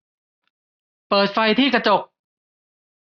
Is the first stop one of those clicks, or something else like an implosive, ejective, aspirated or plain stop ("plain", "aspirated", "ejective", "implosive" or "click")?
plain